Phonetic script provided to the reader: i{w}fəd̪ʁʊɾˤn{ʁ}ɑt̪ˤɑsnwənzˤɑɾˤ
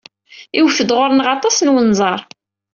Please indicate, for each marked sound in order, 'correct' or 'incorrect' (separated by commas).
correct, correct